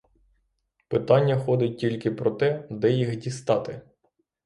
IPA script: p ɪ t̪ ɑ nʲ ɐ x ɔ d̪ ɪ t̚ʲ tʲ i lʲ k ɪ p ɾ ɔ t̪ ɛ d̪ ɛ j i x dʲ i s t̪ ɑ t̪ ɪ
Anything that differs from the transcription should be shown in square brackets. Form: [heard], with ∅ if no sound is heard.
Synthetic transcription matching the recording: p ɪ t̪ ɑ [nʲː] ɐ x ɔ d̪ ɪ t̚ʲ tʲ i lʲ k ɪ p ɾ ɔ t̪ ɛ d̪ ɛ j i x dʲ i s t̪ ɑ t̪ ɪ